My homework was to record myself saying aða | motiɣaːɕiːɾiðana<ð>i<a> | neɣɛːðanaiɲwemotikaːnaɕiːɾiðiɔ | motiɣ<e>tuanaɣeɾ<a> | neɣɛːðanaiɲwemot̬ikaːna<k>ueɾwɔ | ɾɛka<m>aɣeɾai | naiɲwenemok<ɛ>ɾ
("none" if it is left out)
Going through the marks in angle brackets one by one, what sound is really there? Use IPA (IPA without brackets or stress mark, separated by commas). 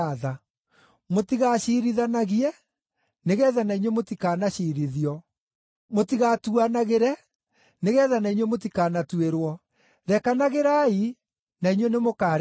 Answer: ɣ, ɛ, a, ɛ, t, n, a